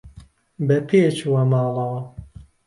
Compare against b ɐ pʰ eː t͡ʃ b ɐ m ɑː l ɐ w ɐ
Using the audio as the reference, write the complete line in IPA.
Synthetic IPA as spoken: b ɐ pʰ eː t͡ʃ w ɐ m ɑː l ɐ w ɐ